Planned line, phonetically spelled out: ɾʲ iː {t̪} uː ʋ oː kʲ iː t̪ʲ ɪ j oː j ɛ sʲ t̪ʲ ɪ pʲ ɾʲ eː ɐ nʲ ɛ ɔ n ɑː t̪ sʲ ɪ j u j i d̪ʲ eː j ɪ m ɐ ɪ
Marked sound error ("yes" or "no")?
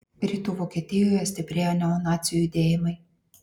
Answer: no